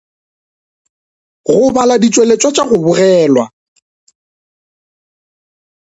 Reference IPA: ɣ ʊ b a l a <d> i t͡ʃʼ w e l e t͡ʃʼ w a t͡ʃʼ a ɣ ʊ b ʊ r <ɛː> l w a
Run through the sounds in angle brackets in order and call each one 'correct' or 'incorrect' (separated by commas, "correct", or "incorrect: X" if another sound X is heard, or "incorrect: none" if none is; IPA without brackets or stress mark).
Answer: correct, correct